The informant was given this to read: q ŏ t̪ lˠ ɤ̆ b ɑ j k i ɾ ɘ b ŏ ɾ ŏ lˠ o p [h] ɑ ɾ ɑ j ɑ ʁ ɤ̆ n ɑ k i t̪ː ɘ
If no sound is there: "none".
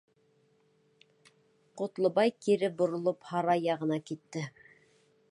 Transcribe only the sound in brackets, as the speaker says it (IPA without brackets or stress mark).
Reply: h